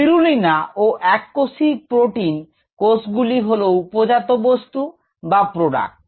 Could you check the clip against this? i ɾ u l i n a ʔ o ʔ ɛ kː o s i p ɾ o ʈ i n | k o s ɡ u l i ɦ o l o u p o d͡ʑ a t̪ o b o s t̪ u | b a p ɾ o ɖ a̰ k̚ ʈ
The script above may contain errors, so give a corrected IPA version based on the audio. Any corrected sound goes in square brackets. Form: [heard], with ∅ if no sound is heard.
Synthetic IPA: i ɾ u l i n a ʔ o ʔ ɛ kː o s i p ɾ o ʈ i n | k o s ɡ u l i ɦ o l o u p o d͡ʑ a t̪ o b o s t̪ u | b a p ɾ o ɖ a̰ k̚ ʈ